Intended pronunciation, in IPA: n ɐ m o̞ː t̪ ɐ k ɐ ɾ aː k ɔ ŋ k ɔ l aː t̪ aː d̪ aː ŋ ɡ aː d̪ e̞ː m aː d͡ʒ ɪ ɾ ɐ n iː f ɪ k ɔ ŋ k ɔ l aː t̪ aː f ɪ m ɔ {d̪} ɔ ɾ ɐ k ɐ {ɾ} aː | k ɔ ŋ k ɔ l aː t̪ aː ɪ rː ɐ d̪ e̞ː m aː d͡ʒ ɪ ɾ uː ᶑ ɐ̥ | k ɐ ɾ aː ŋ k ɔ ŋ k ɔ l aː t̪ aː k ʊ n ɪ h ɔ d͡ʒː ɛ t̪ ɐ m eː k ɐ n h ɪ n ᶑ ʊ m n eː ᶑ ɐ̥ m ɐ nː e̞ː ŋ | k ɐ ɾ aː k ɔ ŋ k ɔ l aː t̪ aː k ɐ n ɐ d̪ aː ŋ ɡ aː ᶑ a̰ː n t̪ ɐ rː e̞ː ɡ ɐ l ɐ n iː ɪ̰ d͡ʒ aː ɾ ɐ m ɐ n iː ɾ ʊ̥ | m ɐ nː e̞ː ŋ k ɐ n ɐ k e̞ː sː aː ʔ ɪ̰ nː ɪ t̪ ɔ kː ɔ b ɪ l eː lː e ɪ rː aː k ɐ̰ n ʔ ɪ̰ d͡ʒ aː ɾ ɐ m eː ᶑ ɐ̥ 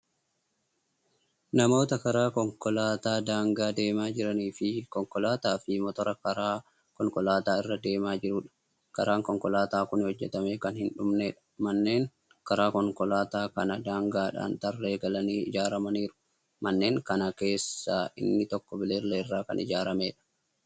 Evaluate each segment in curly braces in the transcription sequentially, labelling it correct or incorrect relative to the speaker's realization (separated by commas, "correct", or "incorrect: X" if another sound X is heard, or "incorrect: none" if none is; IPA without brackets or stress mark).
incorrect: t̪, correct